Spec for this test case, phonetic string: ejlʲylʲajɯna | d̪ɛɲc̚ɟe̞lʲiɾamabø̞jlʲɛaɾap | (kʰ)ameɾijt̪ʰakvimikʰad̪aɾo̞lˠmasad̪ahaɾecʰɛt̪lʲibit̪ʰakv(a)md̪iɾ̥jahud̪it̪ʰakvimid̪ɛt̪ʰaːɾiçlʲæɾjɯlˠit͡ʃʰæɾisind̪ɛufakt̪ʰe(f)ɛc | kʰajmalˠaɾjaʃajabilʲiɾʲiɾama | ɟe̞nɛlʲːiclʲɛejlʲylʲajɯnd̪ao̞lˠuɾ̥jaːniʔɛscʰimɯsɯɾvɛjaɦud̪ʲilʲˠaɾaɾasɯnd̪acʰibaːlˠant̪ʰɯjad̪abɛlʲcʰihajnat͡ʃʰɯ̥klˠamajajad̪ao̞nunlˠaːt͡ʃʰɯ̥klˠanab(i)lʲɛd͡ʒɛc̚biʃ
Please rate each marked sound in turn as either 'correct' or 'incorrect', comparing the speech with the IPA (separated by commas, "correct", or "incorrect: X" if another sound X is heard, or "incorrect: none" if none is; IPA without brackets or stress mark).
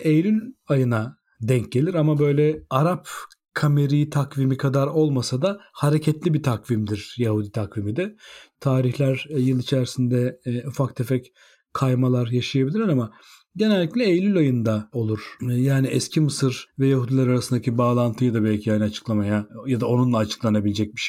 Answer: correct, incorrect: i, correct, correct